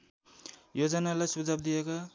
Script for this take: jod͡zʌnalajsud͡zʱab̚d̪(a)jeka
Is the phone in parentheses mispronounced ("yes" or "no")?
yes